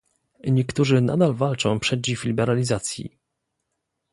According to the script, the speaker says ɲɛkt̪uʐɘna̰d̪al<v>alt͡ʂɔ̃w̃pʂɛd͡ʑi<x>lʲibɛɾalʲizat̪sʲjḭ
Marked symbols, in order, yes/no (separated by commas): yes, no